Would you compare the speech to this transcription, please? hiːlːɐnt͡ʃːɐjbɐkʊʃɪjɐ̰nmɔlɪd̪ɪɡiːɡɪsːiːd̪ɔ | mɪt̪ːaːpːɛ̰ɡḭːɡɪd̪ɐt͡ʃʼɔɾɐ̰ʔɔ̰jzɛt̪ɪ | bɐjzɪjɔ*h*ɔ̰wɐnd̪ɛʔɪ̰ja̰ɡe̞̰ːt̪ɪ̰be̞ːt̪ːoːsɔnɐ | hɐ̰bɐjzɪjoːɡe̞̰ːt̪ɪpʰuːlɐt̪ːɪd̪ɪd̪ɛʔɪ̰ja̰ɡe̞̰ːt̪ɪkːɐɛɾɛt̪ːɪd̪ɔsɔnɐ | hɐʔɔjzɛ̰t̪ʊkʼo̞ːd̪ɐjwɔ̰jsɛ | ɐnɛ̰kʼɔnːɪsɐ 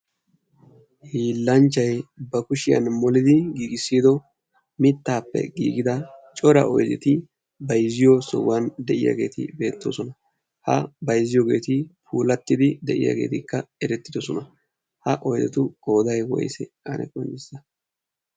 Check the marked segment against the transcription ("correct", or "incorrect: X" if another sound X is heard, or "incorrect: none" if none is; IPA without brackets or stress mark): incorrect: s